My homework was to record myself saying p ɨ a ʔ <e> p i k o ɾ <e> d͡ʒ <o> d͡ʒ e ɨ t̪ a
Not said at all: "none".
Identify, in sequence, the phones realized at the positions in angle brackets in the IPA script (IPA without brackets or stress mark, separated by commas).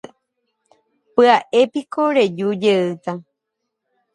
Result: e, e, u